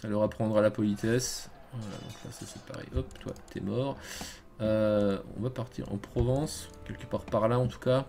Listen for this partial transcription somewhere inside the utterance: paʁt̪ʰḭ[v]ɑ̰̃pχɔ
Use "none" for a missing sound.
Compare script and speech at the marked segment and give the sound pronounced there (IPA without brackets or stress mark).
ʁ